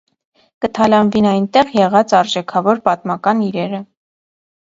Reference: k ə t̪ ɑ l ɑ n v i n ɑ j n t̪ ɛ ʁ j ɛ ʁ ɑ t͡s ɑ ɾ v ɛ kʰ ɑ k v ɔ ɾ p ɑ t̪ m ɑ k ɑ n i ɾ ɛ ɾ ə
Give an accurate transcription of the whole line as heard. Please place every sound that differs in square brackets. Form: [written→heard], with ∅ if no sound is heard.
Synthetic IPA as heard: k ə [t̪→t̪ʰ] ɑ l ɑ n v i n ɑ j n t̪ ɛ ʁ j ɛ ʁ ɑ t͡s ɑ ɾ [v→ʒ] ɛ kʰ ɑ [k→∅] v ɔ ɾ p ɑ t̪ m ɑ k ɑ n i ɾ ɛ ɾ ə